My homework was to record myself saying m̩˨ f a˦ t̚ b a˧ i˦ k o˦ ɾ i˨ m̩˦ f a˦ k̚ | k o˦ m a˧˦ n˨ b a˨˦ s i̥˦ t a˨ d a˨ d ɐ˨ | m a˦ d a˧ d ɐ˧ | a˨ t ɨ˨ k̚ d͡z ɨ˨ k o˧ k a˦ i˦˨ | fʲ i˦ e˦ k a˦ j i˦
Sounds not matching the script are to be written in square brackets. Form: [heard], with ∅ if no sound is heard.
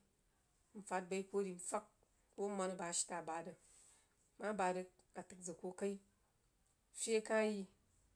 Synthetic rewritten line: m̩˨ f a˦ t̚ b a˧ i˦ k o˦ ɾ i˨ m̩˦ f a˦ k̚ | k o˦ m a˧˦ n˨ b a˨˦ [ʃ] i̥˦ t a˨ [b] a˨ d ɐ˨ | m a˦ [b] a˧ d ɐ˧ | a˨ t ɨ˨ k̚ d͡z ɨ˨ k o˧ k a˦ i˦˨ | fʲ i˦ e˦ k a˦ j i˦